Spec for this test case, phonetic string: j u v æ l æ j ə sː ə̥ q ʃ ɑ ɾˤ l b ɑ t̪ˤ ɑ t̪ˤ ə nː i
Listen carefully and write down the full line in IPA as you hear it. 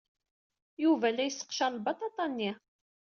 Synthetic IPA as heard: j u v æ l æ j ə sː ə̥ q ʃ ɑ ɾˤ l b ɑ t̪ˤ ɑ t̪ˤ ɑ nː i